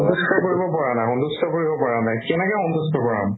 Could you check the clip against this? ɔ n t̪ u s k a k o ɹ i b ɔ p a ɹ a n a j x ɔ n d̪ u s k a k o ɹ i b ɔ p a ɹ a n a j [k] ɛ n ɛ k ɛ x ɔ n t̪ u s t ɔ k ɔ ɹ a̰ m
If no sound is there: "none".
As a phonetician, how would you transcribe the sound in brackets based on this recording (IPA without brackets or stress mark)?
k